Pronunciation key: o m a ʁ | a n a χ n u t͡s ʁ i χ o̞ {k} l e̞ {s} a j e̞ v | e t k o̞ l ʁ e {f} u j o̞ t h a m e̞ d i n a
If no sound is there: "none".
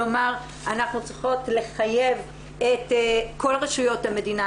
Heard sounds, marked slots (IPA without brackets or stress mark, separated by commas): t, χ, ʃ